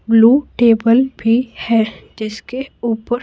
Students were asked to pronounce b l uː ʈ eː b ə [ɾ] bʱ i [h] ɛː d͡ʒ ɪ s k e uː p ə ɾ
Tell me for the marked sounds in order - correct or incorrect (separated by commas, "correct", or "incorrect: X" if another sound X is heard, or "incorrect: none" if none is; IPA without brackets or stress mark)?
incorrect: l, correct